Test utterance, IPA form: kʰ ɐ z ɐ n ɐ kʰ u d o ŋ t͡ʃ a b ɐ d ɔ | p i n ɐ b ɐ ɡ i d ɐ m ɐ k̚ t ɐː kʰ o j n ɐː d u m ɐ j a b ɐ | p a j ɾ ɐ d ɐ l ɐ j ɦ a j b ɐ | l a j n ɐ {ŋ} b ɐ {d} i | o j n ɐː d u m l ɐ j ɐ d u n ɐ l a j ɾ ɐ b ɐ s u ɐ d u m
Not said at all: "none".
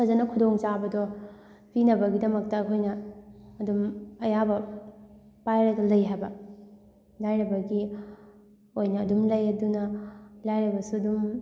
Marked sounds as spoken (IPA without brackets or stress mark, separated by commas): none, ɡ